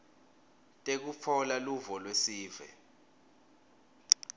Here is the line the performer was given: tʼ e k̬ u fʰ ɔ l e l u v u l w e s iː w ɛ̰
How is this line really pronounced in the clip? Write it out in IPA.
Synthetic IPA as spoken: tʼ e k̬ u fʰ ɔ l a l u v ɔ l w e s iː v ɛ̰